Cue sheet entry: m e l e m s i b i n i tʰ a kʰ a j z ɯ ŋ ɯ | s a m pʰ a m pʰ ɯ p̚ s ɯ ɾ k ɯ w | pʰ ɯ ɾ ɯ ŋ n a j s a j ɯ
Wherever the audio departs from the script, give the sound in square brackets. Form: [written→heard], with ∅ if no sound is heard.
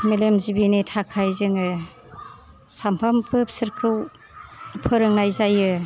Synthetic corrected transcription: m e l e m [s→z] i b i n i tʰ a kʰ a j z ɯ ŋ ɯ | s a m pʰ a m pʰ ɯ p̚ s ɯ ɾ [k→kʰ] ɯ w | pʰ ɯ ɾ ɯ ŋ n a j [s→z] a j ɯ